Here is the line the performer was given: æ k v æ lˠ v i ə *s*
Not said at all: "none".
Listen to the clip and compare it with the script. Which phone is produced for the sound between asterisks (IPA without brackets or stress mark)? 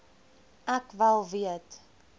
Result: t